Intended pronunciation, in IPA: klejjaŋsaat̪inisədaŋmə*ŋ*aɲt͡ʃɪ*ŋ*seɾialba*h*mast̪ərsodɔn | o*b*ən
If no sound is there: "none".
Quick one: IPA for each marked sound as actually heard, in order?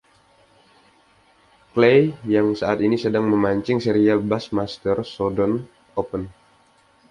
m, ŋ, s, p

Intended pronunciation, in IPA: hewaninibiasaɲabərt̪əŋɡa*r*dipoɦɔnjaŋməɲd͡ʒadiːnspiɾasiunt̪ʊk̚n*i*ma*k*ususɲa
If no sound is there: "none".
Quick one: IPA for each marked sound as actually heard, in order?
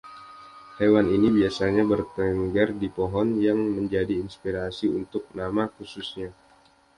r, a, k

